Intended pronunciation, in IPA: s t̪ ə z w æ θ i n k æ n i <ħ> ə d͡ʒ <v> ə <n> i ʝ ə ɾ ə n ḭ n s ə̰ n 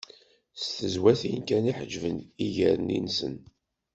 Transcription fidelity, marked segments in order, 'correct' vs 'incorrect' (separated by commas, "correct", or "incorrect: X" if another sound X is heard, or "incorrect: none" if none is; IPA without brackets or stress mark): correct, correct, correct